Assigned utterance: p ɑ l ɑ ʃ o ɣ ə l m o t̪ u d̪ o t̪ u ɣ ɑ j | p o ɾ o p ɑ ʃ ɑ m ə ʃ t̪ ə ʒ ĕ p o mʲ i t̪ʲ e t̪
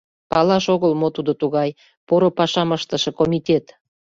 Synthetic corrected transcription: p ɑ l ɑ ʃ o ɣ ə l m o t̪ u d̪ o t̪ u ɣ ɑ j | p o ɾ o p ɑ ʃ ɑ m ə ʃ t̪ ə ʃ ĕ k o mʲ i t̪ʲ e t̪